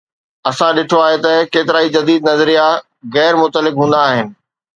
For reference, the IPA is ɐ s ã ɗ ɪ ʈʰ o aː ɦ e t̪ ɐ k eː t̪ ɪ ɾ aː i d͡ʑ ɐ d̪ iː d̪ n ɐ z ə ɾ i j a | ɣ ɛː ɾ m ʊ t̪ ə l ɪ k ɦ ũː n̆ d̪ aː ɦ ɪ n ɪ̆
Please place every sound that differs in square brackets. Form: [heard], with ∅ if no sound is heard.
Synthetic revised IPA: ɐ s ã ɗ ɪ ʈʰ o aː ɦ e t̪ ɐ k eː t̪ ɪ ɾ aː i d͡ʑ ɐ d̪ iː d̪ n ɐ z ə ɾ i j a | ɣ ɛː ɾ m ʊ t̪ ə l ɪ k ɦ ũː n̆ d̪ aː ɦ ɪ n ɪ̆